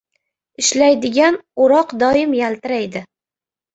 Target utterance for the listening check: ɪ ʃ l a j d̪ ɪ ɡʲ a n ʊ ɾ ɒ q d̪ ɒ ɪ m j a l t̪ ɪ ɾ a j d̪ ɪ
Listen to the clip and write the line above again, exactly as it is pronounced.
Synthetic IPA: ɪ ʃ l a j d̪ ɪ ɡʲ a n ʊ ɾ ɒ q d̪ ɒ ɪ m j a l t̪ ɪ ɾ a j d̪ ɪ